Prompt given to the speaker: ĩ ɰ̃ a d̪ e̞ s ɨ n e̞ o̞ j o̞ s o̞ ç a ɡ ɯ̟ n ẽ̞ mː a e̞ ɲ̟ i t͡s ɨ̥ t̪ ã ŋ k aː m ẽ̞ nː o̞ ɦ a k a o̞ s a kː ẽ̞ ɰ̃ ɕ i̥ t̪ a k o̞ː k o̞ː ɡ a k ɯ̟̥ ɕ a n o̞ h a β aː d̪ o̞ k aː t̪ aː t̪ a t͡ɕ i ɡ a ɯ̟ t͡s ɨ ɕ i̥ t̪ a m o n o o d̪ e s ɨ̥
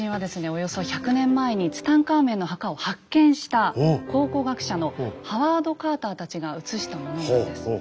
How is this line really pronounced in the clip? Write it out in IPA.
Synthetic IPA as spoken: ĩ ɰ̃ a d̪ e̞ s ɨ n e̞ o̞ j o̞ s o̞ ç a k ɯ̟ n ẽ̞ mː a e̞ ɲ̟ i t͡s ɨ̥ t̪ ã ŋ k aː m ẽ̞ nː o̞ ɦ a k a o̞ h a kː ẽ̞ ɰ̃ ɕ i̥ t̪ a k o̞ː k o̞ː ɡ a k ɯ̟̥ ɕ a n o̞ h a β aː d̪ o̞ k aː t̪ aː t̪ a t͡ɕ i ɡ a ɯ̟ t͡s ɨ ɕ i̥ t̪ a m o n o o d̪ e s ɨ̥

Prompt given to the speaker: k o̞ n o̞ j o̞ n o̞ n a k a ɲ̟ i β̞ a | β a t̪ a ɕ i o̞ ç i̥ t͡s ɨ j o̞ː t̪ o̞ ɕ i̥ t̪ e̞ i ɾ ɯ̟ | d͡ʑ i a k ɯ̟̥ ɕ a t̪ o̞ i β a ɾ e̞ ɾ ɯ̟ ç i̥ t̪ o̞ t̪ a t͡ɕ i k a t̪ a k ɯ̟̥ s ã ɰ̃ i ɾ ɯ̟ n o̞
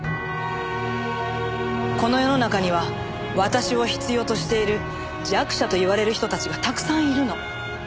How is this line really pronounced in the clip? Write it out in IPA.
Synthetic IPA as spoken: k o̞ n o̞ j o̞ n o̞ n a k a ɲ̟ i β̞ a | β a t̪ a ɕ i o̞ ç i̥ t͡s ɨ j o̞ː t̪ o̞ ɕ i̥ t̪ e̞ i ɾ ɯ̟ | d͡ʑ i a k ɯ̟̥ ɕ a t̪ o̞ i β a ɾ e̞ ɾ ɯ̟ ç i̥ t̪ o̞ t̪ a t͡ɕ i ɡ a t̪ a k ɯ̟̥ s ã ɰ̃ i ɾ ɯ̟ n o̞

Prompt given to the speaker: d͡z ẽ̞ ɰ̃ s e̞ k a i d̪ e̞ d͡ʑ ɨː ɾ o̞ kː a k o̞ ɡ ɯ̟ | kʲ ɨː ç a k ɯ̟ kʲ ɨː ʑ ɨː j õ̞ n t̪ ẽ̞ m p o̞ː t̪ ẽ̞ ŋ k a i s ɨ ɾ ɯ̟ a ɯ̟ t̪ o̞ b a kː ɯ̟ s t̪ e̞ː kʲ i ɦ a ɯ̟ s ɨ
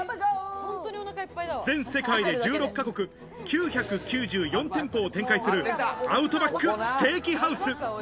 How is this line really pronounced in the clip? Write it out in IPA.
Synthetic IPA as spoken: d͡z ẽ̞ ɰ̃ s e̞ k a i d̪ e̞ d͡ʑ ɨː ɾ o̞ kː a k o̞ k ɯ̟ | kʲ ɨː ç a k ɯ̟ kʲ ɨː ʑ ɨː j õ̞ n t̪ ẽ̞ m p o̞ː t̪ ẽ̞ ŋ k a i s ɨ ɾ ɯ̟ a ɯ̟ t̪ o̞ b a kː ɯ̟ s t̪ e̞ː kʲ i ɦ a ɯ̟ s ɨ

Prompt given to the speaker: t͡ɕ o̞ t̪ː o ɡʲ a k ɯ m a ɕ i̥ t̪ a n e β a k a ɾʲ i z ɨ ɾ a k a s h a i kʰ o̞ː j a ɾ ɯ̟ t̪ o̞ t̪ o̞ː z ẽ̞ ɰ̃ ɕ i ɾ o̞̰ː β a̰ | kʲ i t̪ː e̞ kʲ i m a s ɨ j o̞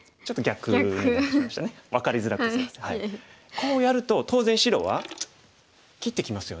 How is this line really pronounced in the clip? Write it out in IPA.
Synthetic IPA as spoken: t͡ɕ o̞ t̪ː o ɡʲ a k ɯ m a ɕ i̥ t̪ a n e β a k a ɾʲ i z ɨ ɾ a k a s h a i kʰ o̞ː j a ɾ ɯ̟ t̪ o̞ t̪ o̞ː z ẽ̞ ɰ̃ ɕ i ɾ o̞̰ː β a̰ | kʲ i t̪ː e̞ kʲ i m a s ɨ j o̞

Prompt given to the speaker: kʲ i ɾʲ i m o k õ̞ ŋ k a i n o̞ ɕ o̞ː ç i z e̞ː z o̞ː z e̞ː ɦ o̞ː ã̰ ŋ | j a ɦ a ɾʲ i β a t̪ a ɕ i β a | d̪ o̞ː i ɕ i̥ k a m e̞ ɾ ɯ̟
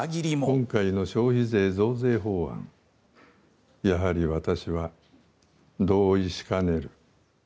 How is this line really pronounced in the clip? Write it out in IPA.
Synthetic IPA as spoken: ɡʲ i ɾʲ i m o k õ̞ ŋ k a i n o̞ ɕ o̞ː ç i z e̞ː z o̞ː z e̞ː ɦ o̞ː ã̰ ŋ | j a ɦ a ɾʲ i β a t̪ a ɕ i β a | d̪ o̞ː i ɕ i̥ k a n e̞ ɾ ɯ̟

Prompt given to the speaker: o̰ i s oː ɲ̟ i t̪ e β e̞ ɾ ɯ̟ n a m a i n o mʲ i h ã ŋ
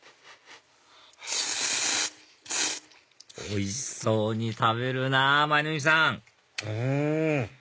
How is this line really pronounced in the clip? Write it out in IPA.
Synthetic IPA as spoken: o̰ i s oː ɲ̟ i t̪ a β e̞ ɾ ɯ̟ n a m a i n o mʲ i s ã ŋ

